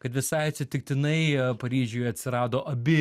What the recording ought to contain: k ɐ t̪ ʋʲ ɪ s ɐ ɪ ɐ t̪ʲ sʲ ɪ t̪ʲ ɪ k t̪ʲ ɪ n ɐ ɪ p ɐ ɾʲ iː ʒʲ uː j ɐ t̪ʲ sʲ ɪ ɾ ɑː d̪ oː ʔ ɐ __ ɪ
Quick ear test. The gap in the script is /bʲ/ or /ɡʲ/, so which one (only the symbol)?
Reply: bʲ